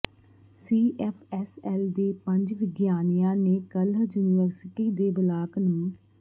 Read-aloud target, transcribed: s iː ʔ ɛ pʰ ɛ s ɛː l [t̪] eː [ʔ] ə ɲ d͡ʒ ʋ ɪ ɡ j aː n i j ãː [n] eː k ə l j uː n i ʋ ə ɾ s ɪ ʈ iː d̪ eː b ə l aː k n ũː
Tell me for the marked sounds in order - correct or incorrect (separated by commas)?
incorrect, incorrect, correct